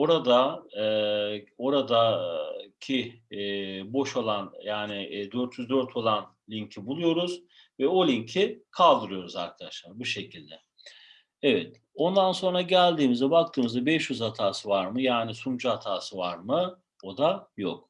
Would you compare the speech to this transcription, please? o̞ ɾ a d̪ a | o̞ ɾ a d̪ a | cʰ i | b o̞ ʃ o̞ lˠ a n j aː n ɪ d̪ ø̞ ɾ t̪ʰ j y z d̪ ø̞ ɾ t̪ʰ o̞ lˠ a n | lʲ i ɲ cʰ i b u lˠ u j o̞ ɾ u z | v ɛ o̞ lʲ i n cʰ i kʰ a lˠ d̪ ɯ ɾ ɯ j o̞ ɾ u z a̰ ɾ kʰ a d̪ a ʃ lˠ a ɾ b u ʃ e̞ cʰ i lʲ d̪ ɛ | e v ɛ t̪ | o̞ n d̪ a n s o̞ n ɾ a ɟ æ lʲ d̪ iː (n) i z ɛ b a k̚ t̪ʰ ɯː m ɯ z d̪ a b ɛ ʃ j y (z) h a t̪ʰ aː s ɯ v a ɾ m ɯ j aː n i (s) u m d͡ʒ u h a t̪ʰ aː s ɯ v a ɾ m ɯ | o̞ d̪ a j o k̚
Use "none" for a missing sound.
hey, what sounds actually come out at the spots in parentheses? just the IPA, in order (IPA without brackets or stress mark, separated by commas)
m, z, s